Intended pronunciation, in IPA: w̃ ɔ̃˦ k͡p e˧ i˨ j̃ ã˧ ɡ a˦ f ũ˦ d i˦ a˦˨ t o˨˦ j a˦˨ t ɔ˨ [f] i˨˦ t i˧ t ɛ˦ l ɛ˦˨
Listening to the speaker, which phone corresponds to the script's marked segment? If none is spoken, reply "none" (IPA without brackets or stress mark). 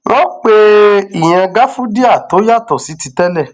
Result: s